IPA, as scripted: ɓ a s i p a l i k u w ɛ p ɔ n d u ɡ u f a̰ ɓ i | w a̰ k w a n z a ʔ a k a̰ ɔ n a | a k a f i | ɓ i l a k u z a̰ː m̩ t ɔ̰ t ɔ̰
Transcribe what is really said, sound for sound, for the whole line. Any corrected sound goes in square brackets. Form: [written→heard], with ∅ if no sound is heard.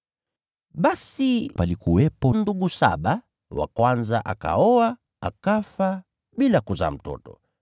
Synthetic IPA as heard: ɓ a s i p a l i k u w ɛ p ɔ n d u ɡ u [f→s] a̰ ɓ [i→a] | w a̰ k w a n z a ʔ a k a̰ ɔ [n→∅] a | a k a f [i→a] | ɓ i l a k u z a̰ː m̩ t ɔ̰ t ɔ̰